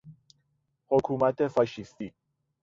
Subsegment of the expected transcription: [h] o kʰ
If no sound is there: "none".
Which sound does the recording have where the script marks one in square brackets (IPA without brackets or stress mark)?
h